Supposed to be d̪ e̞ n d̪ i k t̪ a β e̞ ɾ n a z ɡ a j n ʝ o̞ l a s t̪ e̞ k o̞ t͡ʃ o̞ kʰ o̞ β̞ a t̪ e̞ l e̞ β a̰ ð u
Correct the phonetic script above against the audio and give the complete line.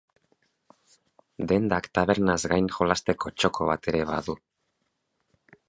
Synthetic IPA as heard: d̪ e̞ n d̪ a k t̪ a β e̞ ɾ n a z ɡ a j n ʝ o̞ l a s t̪ e̞ k o̞ t͡ʃ o̞ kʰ o̞ β̞ a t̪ e̞ ɾ e̞ β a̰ ð u